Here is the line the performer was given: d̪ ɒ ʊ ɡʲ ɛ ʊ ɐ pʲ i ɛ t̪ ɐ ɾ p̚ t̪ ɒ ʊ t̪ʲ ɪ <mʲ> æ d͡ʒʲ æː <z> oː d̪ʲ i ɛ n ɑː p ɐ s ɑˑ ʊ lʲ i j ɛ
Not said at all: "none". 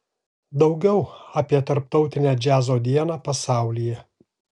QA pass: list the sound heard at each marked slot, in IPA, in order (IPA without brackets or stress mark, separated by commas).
nʲ, z